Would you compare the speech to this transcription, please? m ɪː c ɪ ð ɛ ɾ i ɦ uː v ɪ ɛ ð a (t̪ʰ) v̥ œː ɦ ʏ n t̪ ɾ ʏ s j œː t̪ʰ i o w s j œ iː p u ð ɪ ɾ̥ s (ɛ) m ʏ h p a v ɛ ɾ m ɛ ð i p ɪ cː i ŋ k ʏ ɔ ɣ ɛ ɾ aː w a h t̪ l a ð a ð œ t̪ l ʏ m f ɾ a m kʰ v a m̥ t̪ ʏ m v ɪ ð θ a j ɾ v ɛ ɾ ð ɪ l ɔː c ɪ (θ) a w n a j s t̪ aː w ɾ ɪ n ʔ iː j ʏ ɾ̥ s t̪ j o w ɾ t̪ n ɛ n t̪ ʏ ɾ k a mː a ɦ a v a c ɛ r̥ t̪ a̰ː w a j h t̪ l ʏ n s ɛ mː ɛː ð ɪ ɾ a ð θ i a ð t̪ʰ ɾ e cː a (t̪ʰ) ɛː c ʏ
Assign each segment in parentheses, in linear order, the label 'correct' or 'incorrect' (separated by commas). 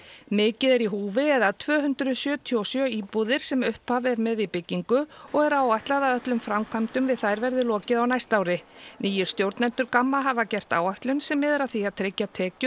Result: correct, correct, incorrect, correct